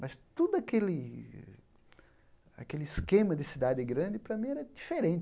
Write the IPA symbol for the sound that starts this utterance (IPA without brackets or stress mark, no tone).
m